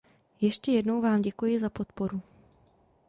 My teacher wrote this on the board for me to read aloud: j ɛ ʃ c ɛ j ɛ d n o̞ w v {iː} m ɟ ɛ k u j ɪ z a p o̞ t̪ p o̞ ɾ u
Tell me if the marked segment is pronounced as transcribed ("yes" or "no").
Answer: no